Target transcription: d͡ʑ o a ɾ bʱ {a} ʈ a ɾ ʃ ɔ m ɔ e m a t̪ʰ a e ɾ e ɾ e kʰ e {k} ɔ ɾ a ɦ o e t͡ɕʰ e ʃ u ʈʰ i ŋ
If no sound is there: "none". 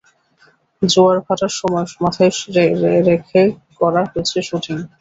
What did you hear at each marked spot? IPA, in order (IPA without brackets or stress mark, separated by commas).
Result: a, k